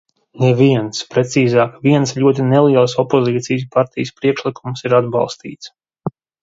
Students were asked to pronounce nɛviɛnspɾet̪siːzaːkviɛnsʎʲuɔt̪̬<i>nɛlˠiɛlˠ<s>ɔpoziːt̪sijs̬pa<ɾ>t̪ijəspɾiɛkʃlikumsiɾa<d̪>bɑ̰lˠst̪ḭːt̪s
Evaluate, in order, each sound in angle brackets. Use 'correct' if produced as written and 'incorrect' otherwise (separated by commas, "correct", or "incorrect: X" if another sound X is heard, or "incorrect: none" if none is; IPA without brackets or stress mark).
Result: correct, correct, correct, correct